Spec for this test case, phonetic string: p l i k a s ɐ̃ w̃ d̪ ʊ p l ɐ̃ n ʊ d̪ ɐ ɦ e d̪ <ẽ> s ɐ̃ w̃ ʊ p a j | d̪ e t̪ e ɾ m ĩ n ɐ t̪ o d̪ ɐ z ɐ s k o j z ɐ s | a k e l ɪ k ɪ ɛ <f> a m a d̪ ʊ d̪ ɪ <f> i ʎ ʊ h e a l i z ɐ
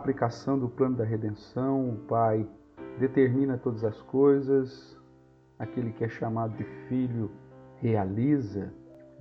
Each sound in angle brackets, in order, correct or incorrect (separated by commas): correct, incorrect, correct